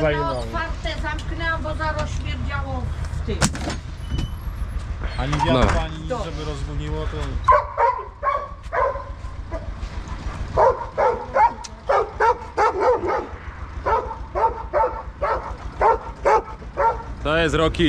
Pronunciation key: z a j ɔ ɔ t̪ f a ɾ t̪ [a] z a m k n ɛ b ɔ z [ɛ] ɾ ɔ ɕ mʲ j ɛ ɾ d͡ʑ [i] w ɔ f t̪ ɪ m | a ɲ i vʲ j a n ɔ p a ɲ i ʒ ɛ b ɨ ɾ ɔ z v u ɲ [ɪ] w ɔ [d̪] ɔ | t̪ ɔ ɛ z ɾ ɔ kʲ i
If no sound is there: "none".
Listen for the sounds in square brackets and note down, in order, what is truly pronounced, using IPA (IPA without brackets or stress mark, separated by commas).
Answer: ɛ, a, a, i, t̪